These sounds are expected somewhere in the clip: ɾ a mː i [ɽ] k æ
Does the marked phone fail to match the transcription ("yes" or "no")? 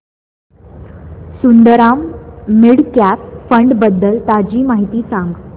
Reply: no